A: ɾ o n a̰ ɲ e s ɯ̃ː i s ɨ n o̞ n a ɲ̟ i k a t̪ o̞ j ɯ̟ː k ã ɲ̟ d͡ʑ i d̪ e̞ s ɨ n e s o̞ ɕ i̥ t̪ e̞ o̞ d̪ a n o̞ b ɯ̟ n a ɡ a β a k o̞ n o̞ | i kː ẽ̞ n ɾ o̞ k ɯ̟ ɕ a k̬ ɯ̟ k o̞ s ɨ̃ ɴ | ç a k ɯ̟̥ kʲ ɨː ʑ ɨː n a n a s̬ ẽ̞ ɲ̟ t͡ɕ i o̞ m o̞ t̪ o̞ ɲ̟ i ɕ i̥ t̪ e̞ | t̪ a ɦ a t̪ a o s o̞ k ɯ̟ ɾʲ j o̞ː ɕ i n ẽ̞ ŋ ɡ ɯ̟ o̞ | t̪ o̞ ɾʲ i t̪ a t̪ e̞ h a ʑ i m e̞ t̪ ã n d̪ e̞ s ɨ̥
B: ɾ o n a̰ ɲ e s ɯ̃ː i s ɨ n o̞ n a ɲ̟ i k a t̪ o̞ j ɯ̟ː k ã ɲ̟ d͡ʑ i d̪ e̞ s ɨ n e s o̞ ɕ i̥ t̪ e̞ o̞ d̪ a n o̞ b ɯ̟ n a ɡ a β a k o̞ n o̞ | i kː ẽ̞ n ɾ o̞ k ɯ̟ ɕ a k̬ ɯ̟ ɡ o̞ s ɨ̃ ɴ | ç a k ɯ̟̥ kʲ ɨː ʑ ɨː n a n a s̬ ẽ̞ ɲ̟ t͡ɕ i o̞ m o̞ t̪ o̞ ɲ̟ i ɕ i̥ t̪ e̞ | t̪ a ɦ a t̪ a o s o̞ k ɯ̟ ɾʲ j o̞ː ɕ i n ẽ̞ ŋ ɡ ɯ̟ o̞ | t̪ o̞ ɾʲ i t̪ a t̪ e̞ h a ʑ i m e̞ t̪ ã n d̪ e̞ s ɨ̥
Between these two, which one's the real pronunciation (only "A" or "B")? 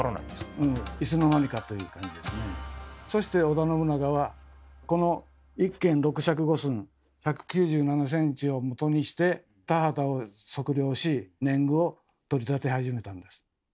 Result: B